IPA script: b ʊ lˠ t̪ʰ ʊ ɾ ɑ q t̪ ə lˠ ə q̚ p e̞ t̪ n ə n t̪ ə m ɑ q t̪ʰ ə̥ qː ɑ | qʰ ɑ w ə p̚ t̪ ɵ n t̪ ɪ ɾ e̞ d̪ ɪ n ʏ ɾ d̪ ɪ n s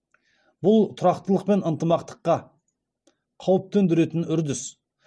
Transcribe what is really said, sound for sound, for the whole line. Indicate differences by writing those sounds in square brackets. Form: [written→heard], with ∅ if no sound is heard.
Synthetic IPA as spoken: b ʊ lˠ t̪ʰ ʊ ɾ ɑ q t̪ ə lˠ ə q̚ p e̞ [t̪→∅] n ə n t̪ ə m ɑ q [t̪ʰ→t̪] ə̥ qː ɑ | qʰ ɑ w ə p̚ t̪ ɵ n [t̪→d̪] ɪ ɾ e̞ [d̪→t̪] ɪ n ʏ ɾ d̪ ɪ [n→∅] s